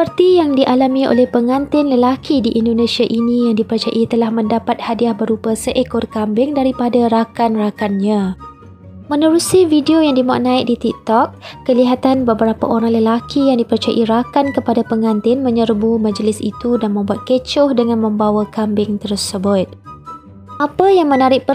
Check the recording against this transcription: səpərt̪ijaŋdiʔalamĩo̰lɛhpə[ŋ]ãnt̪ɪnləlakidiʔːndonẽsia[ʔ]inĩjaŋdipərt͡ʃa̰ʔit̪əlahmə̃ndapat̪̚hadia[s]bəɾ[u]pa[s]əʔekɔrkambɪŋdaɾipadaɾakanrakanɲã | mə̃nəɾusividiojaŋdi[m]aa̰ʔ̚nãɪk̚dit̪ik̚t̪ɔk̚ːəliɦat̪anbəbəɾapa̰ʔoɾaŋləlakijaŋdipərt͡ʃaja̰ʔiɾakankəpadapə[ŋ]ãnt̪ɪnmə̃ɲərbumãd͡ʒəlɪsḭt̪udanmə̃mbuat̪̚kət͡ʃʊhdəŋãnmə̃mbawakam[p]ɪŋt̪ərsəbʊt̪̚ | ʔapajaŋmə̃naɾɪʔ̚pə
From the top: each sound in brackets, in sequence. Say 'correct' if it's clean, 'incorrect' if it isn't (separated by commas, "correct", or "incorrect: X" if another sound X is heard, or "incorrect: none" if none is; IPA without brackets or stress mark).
correct, correct, incorrect: h, correct, correct, correct, correct, incorrect: b